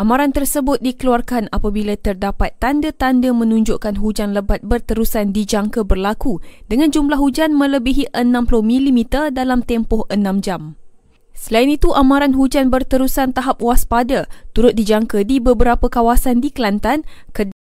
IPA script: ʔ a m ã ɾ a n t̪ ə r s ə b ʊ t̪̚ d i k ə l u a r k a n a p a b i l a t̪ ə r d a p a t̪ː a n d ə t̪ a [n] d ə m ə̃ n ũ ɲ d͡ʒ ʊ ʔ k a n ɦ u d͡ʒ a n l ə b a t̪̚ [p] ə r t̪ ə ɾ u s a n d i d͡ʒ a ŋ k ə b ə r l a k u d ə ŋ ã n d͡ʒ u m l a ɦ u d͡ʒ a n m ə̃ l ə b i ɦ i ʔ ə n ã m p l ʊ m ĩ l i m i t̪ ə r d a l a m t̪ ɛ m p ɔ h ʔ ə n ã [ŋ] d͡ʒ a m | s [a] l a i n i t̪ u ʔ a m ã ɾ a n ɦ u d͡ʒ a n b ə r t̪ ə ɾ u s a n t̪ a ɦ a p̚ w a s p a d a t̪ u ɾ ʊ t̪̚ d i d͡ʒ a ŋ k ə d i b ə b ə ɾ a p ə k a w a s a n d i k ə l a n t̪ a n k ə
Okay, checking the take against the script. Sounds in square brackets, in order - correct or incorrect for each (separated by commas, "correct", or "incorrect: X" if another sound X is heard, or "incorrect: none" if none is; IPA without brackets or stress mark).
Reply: correct, incorrect: b, incorrect: m, incorrect: ə